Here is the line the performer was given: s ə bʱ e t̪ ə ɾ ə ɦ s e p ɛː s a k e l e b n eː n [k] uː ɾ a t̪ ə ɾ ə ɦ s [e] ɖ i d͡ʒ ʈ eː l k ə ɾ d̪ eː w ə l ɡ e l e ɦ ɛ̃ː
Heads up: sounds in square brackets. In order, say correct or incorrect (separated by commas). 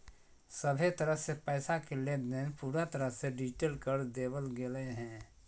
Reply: incorrect, correct